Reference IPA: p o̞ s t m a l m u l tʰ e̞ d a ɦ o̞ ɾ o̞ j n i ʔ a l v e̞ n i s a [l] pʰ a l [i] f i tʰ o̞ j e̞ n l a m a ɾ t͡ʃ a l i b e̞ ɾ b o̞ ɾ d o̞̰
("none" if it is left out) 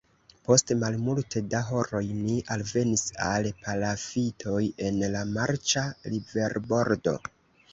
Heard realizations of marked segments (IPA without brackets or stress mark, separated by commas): l, a